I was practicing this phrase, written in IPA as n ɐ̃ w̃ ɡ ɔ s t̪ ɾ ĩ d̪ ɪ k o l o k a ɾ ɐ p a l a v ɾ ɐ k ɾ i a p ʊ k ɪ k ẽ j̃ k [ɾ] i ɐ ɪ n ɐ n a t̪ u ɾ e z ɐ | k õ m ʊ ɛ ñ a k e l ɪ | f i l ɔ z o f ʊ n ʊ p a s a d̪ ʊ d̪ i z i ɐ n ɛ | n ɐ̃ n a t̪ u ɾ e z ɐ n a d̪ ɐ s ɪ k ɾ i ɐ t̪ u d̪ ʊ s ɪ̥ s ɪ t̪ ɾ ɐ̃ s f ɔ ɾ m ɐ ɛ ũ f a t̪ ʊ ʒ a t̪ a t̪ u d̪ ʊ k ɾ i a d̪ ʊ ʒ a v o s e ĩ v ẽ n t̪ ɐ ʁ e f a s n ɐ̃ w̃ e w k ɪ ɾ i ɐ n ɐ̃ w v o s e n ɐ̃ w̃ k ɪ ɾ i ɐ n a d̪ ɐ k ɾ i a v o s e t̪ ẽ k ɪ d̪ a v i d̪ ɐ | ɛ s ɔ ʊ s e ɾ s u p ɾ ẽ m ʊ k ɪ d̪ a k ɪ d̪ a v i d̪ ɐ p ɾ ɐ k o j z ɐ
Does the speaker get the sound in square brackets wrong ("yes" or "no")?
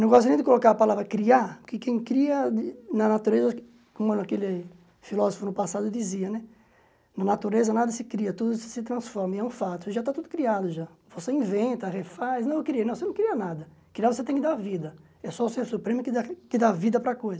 no